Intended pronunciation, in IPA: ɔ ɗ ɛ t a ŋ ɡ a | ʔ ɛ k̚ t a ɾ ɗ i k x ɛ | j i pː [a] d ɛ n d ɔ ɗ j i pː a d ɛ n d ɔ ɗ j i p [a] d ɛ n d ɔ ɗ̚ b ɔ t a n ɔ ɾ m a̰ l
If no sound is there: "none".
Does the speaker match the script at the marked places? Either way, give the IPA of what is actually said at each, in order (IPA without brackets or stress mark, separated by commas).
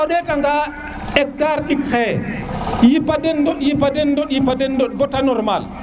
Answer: a, a